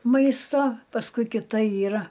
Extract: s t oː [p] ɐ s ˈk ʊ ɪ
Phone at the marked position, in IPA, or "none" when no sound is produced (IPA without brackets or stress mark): p